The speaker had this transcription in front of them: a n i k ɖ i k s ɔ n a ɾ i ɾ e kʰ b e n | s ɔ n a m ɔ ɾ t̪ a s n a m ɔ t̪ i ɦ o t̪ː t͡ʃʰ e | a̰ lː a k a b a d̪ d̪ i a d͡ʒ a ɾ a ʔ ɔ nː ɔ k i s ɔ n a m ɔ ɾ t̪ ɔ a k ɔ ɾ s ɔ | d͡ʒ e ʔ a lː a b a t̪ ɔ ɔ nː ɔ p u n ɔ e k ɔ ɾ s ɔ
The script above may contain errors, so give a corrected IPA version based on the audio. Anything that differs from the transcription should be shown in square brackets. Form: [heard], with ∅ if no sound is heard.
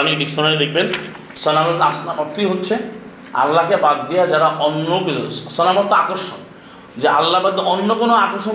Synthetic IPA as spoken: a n i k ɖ i k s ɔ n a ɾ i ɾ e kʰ b e n | s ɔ n a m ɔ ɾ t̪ a s n a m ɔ t̪ i ɦ o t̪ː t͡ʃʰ e | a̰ lː a k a b a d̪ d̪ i a d͡ʒ a ɾ a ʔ ɔ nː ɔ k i s ɔ n a m ɔ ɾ t̪ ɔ a k ɔ ɾ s ɔ | d͡ʒ e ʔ a lː a b a [d̪] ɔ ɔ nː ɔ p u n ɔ [a] k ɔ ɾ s ɔ